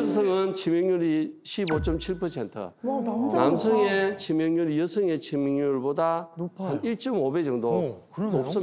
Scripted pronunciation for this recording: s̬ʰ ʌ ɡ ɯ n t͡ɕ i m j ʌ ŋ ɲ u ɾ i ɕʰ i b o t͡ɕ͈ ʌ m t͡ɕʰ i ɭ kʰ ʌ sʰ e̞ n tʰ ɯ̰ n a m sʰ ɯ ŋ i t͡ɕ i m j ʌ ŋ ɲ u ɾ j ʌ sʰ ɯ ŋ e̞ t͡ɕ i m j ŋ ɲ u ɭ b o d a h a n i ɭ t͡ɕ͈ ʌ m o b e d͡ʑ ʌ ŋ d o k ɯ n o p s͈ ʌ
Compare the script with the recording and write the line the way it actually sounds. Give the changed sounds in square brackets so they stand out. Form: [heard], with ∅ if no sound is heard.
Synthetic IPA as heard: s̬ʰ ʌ [ŋ] ɯ n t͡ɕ i m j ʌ ŋ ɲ u ɾ i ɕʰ i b o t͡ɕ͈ ʌ m t͡ɕʰ i ɭ [pʰ] ʌ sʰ e̞ n tʰ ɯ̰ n a m sʰ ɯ ŋ [e] t͡ɕ i m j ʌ ŋ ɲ u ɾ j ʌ sʰ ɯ ŋ e̞ t͡ɕ i m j ŋ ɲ u ɭ b o d a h a n i ɭ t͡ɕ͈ ʌ m o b e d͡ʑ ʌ ŋ d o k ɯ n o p s͈ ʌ